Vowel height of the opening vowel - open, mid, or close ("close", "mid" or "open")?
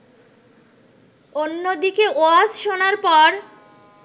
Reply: mid